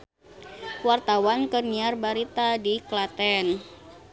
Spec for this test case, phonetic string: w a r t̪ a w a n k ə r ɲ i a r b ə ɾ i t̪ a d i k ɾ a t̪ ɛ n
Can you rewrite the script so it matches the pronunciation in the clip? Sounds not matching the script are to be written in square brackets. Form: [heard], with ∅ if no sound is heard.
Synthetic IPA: w a r t̪ a w a n k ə r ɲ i a r b [a] ɾ i t̪ a d i k [l] a t̪ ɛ n